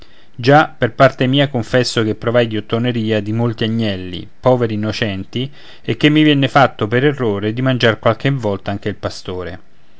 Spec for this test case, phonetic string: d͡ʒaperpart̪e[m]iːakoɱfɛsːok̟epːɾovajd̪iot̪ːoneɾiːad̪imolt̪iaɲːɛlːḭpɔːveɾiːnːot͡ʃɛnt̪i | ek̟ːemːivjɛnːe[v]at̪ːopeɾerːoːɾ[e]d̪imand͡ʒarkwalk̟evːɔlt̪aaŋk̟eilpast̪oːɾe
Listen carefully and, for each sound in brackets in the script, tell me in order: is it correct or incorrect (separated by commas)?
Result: correct, incorrect, correct